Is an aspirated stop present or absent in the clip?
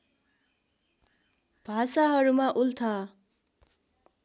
present